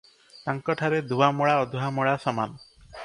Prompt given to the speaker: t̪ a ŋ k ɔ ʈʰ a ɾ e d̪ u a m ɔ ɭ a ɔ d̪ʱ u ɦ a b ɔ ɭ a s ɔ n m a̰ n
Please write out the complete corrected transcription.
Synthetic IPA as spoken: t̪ a ŋ k ɔ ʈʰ a ɾ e d̪ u a m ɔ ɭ a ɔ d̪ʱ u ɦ a m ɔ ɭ a s ɔ m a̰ n